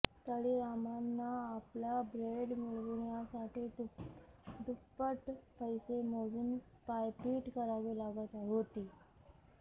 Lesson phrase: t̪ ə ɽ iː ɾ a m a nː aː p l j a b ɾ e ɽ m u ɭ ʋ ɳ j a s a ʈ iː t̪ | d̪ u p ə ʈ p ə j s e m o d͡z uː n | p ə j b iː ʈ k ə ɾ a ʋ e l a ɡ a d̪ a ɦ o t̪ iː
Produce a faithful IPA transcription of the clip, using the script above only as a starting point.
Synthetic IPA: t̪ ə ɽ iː ɾ a m a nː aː p l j a b ɾ e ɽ m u ɭ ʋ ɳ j a s a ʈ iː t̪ | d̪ u p ə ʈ p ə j s e m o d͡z uː n | p a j p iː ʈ k ə ɾ a ʋ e l a ɡ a t̪ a ɦ o t̪ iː